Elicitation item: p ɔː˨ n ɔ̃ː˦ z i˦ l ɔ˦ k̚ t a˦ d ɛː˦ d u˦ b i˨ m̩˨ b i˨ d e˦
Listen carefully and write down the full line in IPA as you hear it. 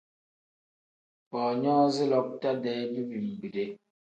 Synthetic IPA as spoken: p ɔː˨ ɲ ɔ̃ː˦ z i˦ l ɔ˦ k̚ t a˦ d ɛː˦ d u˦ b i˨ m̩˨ b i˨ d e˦

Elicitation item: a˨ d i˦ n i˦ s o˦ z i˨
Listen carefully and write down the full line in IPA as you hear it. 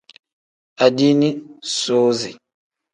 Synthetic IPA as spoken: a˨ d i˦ n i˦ s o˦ z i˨

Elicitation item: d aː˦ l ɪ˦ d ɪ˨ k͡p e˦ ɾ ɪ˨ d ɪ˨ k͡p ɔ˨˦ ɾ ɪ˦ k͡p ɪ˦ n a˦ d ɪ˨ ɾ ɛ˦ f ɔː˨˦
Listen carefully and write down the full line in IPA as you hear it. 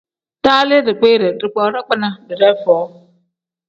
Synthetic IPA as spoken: t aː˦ l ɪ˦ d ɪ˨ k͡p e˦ ɾ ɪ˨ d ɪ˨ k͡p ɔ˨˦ ɾ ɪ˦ k͡p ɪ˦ n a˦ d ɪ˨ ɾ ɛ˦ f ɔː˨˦

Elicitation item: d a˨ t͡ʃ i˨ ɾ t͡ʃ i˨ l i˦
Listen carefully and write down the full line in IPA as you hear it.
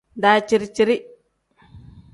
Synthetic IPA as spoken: d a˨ t͡ʃ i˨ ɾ t͡ʃ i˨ ɾ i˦

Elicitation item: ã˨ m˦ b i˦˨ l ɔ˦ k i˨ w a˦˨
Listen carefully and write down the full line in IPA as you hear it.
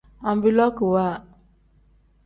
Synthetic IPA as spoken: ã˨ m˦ b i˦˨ l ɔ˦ k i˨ w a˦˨

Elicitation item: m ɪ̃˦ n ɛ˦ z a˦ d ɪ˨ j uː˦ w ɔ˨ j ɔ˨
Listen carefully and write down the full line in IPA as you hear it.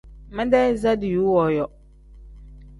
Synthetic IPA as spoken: m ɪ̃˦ d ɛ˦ z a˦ d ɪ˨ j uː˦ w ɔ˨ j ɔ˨

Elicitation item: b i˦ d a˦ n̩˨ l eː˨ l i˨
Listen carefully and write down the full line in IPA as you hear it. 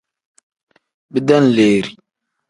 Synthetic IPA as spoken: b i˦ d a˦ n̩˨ l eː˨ ɾ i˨

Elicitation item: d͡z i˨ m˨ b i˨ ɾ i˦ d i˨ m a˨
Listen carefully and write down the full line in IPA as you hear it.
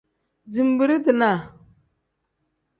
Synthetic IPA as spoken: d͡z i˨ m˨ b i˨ ɾ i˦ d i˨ n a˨

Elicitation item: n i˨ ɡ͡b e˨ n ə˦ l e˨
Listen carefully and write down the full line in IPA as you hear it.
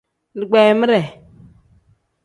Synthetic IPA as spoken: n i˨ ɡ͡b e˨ m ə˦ ɾ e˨

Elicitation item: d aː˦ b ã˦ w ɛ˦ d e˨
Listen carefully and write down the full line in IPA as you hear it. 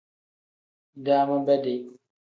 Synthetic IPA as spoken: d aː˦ m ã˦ b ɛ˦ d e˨

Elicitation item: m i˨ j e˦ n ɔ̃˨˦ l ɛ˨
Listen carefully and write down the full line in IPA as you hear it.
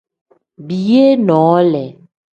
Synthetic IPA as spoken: b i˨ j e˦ n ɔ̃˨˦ l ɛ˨

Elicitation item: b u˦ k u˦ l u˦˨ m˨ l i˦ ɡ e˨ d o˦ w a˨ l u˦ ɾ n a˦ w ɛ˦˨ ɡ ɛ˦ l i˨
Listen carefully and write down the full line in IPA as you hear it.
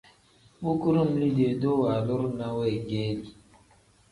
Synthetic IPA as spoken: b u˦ k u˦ ɾ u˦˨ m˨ l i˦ d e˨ d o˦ w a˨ l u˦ ɾ n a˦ w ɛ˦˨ ɡ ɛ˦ l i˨

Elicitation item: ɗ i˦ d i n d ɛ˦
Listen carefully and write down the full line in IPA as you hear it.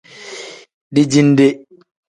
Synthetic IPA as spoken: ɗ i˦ d͡ʒ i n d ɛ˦

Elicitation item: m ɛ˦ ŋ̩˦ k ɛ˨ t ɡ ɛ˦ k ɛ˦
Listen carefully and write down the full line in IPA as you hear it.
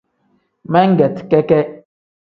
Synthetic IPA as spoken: m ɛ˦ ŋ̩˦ ɡ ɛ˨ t k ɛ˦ k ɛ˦

